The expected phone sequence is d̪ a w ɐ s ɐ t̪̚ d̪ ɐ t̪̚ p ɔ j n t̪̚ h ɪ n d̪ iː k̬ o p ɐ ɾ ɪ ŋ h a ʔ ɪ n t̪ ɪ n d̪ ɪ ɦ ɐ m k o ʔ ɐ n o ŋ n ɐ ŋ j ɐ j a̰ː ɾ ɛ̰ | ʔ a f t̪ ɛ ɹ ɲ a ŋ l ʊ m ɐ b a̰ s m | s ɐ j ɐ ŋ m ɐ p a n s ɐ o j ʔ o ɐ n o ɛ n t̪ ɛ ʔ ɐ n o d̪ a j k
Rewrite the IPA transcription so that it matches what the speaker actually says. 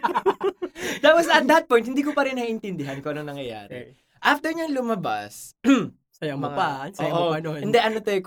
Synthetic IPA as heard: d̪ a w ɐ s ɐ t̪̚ d̪ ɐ t̪̚ p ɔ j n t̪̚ h ɪ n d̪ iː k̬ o p ɐ ɾ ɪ n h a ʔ ɪ n t̪ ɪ n d̪ ɪ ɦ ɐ n k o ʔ ɐ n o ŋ n ɐ ŋ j ɐ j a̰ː ɾ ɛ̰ | ʔ a f t̪ ɛ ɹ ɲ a ŋ l ʊ m ɐ b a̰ s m | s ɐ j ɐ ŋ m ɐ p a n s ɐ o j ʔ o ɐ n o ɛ n d̪ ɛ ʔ ɐ n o t̪ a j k